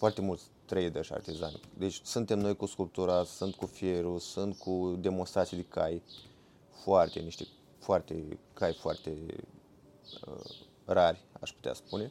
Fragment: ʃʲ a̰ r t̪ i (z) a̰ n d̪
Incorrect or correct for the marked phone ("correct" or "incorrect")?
correct